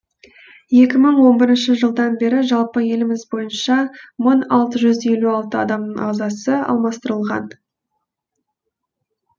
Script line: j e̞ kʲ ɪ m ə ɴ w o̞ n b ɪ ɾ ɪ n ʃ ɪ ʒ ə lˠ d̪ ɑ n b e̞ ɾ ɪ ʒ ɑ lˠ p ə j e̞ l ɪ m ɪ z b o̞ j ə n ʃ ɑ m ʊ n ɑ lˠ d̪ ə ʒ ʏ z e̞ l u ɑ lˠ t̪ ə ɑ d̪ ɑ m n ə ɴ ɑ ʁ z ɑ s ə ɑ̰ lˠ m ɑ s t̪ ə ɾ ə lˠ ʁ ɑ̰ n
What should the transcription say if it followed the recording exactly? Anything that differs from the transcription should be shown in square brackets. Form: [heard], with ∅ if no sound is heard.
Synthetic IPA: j e̞ kʲ ɪ m ə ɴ w o̞ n b ɪ ɾ ɪ n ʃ ɪ ʒ ə lˠ d̪ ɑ n b e̞ ɾ ɪ ʒ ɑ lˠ p ə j e̞ l ɪ m ɪ z b o̞ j ə n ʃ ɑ m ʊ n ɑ lˠ [t̪] ə ʒ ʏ z e̞ l u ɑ lˠ t̪ ə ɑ d̪ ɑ m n ə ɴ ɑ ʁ z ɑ s ə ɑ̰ lˠ m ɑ s t̪ ə ɾ ə lˠ ʁ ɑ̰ n